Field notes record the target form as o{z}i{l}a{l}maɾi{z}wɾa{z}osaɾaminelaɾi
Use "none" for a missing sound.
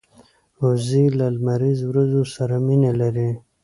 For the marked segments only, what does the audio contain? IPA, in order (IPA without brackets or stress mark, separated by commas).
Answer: z, l, l, z, z